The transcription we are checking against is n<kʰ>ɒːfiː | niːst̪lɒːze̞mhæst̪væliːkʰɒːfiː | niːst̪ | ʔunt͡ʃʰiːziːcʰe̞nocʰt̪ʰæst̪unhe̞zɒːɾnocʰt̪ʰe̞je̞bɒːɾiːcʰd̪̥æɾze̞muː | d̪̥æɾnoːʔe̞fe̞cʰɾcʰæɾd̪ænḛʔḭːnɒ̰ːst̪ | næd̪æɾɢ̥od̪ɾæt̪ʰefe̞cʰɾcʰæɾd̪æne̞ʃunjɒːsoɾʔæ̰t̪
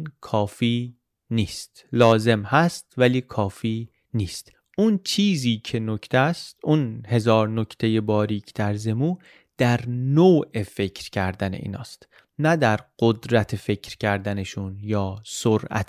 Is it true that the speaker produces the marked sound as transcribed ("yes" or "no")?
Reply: yes